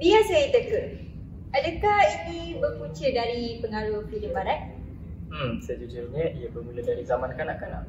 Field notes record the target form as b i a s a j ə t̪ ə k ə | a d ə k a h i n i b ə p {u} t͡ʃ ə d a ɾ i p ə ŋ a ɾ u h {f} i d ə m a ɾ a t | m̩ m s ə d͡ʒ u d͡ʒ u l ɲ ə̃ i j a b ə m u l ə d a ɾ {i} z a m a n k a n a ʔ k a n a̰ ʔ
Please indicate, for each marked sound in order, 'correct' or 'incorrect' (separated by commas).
correct, correct, correct